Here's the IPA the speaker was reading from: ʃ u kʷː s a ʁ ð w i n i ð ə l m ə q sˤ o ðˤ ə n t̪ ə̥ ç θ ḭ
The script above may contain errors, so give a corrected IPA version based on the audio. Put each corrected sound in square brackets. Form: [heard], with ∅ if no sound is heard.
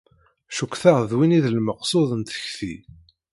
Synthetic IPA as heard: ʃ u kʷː [θ] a ʁ ð w i n i ð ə l m ə q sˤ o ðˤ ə n t̪ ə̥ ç θ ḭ